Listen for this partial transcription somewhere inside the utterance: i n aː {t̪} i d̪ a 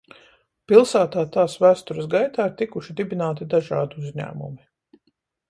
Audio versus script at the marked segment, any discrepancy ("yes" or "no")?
no